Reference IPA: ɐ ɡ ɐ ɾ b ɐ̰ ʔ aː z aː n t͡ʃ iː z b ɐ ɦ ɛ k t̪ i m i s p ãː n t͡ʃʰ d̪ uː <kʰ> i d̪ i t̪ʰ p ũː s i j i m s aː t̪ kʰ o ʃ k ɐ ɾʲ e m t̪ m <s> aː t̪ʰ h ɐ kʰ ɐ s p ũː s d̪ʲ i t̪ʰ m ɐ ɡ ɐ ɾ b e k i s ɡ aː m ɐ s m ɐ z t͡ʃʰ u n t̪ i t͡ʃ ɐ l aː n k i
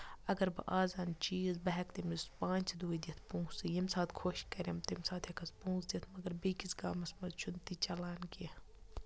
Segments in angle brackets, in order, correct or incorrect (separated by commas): incorrect, correct